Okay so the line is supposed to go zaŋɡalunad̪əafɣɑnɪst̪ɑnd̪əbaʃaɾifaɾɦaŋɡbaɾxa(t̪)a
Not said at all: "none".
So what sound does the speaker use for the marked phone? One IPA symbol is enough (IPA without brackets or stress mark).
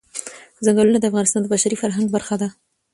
d̪